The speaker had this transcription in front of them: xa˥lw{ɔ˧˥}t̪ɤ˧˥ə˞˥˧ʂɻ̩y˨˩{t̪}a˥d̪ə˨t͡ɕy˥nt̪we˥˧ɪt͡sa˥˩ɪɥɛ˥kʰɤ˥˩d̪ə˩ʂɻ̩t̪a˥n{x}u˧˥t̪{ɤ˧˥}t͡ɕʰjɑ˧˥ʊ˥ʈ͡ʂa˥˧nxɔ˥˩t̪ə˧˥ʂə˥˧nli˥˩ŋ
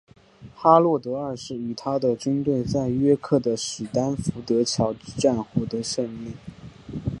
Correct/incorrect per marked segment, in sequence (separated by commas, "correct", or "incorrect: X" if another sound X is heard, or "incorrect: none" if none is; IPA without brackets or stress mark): incorrect: ɔ˥˩, incorrect: t̪ʰ, incorrect: f, correct